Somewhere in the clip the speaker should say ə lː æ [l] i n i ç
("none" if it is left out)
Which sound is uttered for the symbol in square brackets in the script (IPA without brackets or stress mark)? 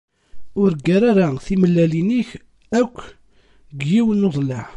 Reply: l